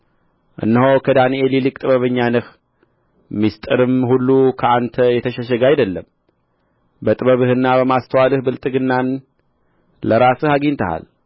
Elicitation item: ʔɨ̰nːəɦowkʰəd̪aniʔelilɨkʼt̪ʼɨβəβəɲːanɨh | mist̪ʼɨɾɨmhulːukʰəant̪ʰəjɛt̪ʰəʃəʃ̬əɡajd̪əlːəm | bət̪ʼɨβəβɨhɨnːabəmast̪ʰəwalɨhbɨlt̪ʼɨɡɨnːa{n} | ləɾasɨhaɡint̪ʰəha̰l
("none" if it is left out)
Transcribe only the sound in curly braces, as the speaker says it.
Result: n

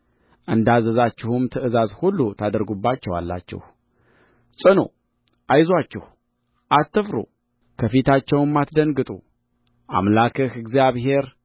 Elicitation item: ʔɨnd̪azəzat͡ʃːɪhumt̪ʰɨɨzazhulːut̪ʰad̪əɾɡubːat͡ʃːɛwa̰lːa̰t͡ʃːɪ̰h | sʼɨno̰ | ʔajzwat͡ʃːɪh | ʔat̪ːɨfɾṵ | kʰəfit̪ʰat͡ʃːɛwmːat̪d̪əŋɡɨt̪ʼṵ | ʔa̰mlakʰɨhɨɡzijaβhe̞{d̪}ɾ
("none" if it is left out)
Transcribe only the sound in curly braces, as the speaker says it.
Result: none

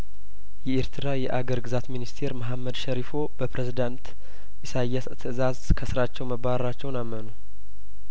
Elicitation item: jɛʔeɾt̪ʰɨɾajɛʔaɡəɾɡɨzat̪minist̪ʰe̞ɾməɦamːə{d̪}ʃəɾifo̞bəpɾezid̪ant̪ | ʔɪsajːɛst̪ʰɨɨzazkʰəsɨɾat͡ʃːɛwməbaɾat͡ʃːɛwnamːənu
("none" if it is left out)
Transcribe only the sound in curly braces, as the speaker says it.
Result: d̪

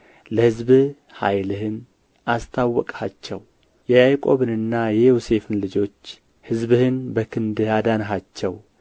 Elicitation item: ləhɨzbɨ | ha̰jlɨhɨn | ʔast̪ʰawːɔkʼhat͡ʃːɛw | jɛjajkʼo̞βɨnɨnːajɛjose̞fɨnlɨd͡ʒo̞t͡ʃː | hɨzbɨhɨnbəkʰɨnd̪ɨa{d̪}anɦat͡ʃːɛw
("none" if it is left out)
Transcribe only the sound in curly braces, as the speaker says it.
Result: d̪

